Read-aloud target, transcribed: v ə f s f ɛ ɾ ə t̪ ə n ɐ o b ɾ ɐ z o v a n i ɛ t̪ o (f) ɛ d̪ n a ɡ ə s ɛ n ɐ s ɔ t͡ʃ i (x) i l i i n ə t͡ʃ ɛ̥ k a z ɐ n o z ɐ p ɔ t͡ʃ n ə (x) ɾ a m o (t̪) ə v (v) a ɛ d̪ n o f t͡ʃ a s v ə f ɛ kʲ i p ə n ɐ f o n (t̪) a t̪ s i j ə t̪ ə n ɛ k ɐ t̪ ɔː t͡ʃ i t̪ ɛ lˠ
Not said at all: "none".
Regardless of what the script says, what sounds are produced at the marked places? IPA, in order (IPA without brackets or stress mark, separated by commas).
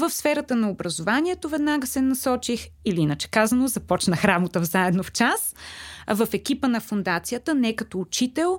v, x, x, t̪, z, d̪